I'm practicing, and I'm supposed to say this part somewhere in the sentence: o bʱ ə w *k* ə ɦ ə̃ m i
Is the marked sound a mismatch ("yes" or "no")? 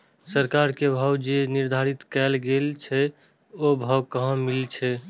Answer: no